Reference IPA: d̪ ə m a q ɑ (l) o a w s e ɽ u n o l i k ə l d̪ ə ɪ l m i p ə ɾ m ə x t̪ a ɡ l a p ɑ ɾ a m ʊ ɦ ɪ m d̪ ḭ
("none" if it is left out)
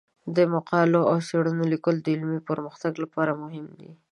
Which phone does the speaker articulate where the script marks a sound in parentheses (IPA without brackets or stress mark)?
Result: l